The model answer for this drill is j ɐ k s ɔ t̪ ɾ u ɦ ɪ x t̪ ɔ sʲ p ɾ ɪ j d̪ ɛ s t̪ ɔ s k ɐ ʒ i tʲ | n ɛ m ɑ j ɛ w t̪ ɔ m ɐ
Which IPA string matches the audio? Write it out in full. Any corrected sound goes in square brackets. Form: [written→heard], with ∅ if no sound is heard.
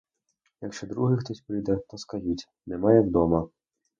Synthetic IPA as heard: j ɐ k [s→ʃ] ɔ [t̪→d̪] ɾ u ɦ ɪ x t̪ ɔ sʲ p ɾ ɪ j d̪ ɛ [s→∅] t̪ ɔ s k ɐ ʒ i tʲ | n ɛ m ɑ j ɛ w [t̪→d̪] ɔ m ɐ